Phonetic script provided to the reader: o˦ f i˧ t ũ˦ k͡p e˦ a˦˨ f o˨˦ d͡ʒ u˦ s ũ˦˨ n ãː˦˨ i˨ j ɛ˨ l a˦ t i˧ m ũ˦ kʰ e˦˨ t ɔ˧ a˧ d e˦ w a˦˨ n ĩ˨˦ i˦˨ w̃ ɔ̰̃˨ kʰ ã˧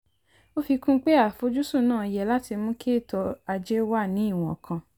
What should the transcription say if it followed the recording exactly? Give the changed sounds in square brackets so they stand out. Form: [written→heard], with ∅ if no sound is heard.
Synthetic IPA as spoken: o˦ f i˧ [t→k] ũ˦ k͡p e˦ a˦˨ f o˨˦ d͡ʒ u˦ s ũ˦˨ n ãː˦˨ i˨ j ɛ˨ l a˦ t i˧ m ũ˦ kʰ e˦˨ t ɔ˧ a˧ [d→d͡ʒ] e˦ w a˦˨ n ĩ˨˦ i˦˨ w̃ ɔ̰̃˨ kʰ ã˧